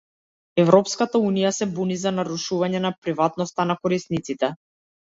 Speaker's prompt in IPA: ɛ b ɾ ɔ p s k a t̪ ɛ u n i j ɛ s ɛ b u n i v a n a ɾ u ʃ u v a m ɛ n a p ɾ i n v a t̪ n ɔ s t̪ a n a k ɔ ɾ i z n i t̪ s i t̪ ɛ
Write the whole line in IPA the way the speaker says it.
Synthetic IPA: ɛ v ɾ ɔ p s k a t̪ a u n i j a s ɛ b u n i z a n a ɾ u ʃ u v a ɲ ɛ n a p ɾ i v a t̪ n ɔ s t̪ a n a k ɔ ɾ i s n i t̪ s i t̪ ɛ